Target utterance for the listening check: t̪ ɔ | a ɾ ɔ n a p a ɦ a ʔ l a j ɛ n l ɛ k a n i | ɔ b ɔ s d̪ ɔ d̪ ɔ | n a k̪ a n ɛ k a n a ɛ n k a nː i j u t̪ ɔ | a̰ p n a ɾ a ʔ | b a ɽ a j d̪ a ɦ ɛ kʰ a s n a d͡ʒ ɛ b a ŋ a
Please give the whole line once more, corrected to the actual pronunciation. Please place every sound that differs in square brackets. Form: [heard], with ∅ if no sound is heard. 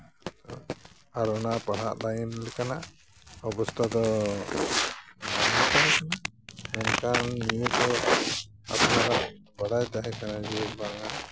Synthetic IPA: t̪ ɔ | a ɾ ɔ n a p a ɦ a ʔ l a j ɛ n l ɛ k a n [a] | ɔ b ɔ s [t̪] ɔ d̪ ɔ | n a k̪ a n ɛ k a n a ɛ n k a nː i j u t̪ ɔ | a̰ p n a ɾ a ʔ | b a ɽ a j d̪ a ɦ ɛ [k] a [∅] n a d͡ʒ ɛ b a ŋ a